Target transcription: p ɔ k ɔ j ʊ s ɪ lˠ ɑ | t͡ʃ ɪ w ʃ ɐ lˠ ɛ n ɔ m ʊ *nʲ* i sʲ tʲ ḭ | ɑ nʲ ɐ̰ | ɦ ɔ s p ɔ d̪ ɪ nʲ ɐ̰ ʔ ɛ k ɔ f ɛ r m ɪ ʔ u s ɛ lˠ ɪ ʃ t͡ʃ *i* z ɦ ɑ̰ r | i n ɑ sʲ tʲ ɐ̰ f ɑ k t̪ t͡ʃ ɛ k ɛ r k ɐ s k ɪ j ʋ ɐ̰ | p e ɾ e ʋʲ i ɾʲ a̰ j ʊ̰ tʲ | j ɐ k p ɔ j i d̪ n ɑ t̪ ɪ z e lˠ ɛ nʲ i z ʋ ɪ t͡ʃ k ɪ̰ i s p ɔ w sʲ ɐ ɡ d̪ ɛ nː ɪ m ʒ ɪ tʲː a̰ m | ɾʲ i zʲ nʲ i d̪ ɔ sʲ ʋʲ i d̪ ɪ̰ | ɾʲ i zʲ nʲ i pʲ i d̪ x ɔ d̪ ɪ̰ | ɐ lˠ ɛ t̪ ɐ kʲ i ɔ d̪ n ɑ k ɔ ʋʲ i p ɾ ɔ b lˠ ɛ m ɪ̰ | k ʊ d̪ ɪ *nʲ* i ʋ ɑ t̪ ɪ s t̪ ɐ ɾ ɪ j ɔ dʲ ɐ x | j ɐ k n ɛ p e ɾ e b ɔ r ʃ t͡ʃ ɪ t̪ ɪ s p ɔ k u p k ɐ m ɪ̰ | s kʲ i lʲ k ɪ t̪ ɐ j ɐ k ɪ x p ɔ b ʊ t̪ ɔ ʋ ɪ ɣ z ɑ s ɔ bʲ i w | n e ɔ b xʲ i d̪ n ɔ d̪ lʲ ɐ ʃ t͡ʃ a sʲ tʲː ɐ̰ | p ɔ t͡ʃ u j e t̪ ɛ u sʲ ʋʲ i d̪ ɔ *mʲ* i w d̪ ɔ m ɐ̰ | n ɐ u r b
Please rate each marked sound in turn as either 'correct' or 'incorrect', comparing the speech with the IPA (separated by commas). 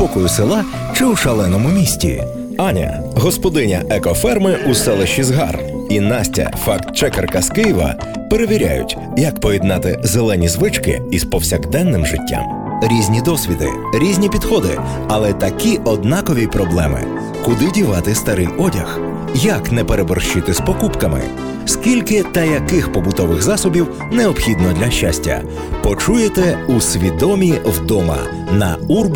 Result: incorrect, correct, incorrect, correct